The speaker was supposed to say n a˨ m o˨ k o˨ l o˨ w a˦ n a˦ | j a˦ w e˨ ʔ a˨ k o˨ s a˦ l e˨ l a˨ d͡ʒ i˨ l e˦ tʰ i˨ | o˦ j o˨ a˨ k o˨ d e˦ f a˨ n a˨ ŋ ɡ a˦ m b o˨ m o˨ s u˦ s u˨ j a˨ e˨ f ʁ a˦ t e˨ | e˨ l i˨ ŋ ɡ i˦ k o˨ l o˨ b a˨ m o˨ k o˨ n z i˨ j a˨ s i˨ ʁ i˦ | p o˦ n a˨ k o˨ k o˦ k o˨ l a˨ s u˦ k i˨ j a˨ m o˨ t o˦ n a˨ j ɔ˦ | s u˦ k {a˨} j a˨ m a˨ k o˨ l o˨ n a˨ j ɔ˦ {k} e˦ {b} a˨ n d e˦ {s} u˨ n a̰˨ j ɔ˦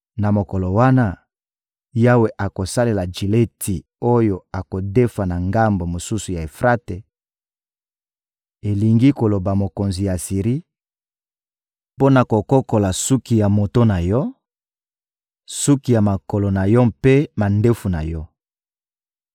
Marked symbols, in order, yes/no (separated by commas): no, no, no, no